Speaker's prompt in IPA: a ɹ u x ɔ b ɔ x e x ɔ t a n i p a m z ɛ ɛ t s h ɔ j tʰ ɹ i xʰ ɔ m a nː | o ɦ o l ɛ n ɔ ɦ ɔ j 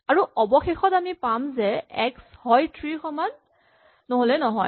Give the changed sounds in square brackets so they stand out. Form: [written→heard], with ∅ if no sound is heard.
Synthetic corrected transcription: a ɹ u [x→∅] ɔ b ɔ x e x ɔ t a [n→m] i p a m z ɛ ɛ [t→k] s h ɔ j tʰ ɹ i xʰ ɔ m a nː | o ɦ o l ɛ n ɔ ɦ ɔ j